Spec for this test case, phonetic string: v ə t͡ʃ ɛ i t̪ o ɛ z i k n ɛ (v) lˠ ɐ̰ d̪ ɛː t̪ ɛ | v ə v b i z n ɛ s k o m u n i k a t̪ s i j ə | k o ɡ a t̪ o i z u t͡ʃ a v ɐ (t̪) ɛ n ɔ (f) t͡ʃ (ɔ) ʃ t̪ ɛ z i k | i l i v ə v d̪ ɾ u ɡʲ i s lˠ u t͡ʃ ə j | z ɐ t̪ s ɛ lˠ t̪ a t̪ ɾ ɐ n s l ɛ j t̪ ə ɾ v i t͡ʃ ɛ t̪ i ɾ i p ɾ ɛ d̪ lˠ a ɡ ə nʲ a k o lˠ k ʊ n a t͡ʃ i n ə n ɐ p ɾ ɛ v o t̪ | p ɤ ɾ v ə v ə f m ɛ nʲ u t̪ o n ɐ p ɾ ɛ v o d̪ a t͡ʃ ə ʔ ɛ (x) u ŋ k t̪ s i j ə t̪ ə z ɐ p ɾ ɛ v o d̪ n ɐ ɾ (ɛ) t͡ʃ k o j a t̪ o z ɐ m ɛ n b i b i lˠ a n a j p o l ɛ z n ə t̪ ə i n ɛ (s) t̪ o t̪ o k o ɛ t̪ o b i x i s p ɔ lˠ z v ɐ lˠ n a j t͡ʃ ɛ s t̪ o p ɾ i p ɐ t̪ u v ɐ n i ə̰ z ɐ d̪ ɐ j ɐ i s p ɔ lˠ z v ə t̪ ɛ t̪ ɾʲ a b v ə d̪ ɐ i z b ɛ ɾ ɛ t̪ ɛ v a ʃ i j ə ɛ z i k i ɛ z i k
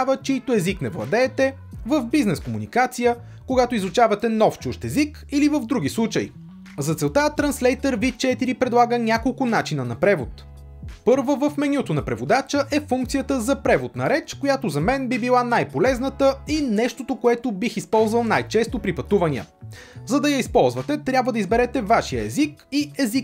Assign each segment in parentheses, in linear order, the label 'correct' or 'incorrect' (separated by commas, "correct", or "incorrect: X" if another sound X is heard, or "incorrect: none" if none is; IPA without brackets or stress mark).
correct, correct, correct, incorrect: u, incorrect: f, correct, incorrect: ʃ